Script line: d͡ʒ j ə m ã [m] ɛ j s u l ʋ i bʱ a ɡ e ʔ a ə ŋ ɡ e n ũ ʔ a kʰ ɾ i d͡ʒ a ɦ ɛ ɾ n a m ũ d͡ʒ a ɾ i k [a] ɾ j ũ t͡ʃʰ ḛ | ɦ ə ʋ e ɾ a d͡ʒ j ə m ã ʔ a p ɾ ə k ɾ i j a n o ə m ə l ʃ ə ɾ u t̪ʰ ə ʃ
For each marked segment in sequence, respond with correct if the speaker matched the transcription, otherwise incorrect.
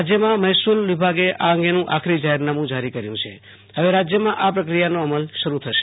correct, incorrect

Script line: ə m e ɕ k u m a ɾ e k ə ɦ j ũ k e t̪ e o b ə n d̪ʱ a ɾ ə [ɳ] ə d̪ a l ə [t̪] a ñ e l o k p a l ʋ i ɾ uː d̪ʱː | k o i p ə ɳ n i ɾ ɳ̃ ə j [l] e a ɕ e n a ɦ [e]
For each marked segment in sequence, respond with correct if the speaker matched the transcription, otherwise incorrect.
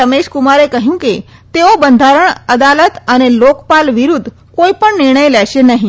correct, correct, correct, incorrect

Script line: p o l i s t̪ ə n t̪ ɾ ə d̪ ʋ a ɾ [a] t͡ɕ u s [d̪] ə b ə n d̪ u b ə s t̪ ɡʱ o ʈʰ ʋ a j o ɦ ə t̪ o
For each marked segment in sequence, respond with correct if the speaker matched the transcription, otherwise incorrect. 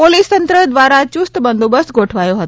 correct, incorrect

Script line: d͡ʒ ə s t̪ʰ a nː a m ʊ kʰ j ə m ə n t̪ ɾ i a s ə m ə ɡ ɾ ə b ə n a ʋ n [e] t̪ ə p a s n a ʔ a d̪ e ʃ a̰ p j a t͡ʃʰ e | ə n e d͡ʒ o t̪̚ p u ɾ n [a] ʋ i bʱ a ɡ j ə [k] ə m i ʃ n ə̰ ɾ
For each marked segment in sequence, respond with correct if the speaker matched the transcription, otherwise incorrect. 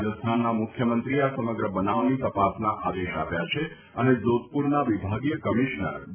incorrect, correct, correct

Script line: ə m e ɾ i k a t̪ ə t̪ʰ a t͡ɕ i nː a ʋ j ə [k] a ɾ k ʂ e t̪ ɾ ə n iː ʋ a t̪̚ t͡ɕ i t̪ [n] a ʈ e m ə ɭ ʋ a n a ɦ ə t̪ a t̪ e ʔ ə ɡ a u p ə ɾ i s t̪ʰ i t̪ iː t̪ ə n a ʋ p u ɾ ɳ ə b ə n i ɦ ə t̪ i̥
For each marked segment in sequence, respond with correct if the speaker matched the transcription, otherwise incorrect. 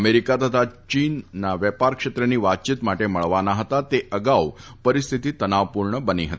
incorrect, incorrect

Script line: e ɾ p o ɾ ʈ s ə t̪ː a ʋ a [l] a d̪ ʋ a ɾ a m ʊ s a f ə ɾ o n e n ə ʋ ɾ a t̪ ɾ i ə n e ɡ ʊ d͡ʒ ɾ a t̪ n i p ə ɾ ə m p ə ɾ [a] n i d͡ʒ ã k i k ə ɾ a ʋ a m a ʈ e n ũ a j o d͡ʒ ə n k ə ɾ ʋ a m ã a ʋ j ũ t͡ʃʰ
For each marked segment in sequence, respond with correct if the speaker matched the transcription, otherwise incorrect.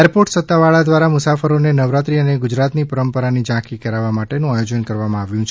incorrect, correct

